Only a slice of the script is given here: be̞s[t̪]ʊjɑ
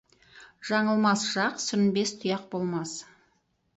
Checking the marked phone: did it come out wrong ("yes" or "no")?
yes